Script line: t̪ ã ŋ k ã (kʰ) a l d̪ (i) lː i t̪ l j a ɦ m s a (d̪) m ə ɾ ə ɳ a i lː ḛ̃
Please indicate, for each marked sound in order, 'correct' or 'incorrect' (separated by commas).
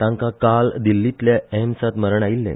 incorrect, correct, incorrect